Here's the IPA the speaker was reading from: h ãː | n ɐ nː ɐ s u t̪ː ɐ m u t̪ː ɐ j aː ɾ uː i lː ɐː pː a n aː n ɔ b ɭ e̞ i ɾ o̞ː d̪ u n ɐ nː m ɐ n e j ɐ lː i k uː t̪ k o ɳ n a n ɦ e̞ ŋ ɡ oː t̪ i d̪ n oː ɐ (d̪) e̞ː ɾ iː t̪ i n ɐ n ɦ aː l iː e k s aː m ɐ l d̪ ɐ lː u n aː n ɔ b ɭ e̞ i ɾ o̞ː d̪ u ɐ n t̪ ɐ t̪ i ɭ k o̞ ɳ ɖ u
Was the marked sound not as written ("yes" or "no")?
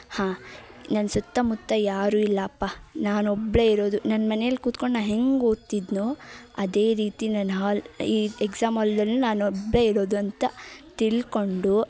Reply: no